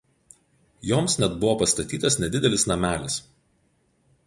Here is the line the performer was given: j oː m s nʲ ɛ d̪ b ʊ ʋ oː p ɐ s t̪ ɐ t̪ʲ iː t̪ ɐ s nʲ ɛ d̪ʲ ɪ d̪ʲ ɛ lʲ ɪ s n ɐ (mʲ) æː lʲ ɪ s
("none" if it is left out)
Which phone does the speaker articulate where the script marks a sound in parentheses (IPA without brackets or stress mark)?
mʲ